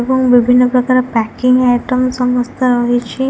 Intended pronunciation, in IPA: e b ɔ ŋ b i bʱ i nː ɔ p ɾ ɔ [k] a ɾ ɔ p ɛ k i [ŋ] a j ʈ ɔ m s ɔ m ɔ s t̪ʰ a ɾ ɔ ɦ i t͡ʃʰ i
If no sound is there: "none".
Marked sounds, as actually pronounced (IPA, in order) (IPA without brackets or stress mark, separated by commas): k, ŋ